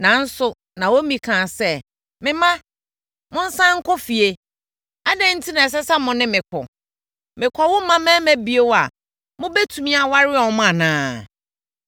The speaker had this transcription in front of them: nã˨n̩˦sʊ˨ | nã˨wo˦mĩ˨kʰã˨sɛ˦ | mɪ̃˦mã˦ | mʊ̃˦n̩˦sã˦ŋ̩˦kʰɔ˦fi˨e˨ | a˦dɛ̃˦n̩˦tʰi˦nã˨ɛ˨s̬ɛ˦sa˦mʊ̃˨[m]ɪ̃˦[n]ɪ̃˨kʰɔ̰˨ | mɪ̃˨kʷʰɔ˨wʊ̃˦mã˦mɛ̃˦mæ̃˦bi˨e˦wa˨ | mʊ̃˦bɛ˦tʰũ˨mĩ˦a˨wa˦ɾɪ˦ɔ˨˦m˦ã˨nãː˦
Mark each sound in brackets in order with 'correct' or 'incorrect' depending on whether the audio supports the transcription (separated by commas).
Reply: incorrect, incorrect